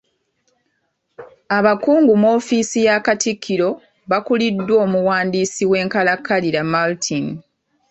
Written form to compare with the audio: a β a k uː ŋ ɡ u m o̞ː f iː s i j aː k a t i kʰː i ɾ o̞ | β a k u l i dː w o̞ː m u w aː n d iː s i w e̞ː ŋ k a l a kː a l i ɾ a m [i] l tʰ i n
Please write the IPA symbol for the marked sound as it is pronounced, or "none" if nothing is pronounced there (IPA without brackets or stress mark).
a